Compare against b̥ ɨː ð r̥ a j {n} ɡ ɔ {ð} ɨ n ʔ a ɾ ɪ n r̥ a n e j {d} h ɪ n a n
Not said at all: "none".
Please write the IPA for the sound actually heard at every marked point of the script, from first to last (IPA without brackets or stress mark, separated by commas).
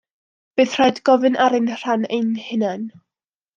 d, v, n